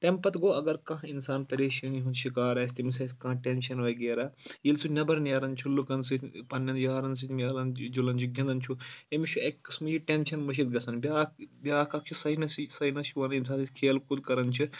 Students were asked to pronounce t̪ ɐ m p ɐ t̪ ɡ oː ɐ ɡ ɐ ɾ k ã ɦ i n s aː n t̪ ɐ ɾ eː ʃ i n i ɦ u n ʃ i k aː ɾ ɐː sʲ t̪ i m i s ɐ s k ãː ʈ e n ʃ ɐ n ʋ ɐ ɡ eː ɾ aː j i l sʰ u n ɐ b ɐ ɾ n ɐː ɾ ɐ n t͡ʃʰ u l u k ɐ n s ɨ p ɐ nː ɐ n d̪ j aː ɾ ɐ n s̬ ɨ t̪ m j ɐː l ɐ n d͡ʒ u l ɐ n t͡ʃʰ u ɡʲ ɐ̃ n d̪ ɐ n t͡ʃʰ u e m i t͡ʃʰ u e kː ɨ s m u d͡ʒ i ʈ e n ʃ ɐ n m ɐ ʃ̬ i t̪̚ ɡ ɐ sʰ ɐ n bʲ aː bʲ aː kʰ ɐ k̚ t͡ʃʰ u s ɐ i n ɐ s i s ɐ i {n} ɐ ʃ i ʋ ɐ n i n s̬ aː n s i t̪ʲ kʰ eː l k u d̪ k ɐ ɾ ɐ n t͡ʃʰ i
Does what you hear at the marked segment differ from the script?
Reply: no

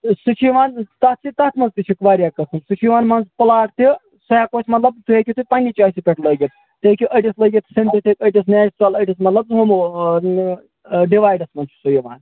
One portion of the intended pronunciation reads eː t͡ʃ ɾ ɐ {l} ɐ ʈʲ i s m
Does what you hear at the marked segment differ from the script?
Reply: no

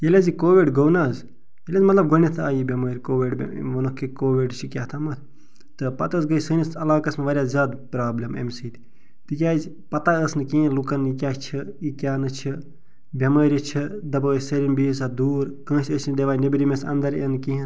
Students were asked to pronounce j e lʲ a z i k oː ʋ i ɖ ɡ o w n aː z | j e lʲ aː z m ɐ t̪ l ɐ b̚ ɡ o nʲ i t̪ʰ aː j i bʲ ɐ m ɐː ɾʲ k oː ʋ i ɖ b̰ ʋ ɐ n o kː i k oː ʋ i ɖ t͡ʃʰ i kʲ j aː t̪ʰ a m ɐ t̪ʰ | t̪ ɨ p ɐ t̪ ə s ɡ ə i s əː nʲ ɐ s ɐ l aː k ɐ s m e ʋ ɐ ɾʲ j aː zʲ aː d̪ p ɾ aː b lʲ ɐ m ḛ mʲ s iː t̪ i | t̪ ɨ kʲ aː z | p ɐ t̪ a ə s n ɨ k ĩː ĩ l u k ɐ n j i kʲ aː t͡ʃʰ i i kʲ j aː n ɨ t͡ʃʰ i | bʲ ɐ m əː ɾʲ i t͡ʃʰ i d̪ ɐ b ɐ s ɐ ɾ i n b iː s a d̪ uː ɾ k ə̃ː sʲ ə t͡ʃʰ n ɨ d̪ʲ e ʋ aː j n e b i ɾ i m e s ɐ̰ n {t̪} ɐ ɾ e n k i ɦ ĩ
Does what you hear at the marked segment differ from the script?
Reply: yes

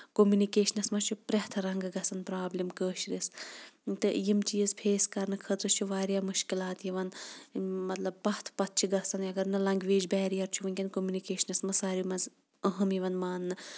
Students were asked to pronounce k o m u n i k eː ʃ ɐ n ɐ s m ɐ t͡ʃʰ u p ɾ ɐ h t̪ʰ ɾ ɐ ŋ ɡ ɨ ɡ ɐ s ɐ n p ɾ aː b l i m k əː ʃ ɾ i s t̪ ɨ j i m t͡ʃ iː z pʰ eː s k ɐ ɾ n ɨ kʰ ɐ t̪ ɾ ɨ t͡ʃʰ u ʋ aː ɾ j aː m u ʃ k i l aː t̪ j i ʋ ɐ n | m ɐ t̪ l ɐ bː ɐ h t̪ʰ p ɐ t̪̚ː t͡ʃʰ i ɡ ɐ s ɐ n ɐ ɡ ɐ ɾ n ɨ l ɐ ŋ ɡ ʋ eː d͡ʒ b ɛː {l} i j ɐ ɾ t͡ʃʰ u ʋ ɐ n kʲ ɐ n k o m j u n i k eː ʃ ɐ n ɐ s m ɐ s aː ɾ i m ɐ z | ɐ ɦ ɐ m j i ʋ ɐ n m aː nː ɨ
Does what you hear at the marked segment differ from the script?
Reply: yes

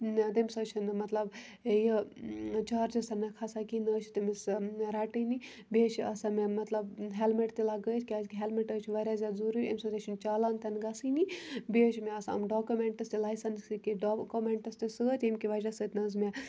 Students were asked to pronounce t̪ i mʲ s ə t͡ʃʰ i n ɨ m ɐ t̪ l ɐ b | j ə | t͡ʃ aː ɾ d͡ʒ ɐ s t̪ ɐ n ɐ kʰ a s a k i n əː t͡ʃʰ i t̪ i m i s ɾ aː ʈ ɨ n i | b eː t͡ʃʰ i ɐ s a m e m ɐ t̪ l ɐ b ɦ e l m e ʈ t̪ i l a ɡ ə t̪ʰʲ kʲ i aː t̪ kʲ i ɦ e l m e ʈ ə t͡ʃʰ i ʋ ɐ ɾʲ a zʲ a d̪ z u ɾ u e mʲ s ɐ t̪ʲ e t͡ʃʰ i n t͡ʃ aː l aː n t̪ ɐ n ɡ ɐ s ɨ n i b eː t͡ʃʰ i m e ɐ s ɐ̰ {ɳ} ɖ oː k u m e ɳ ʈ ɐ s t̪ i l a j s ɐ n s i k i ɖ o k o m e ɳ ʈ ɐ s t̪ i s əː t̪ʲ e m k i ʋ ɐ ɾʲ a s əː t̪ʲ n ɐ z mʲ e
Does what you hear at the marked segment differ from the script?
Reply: yes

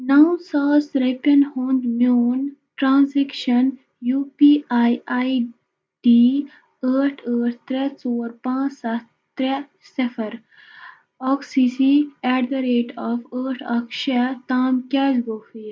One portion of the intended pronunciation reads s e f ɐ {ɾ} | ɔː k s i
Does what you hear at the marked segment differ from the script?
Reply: no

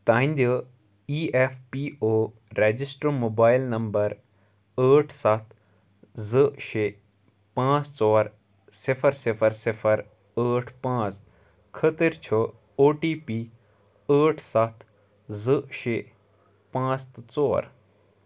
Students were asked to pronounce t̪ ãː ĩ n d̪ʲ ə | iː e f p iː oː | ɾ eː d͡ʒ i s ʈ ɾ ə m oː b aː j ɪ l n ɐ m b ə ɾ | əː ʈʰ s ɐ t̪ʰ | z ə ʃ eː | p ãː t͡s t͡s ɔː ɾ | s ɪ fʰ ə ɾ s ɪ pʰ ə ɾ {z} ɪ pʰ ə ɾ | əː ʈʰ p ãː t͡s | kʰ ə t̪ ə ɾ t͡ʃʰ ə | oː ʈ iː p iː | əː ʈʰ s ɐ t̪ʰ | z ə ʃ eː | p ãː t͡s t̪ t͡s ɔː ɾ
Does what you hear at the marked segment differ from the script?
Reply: yes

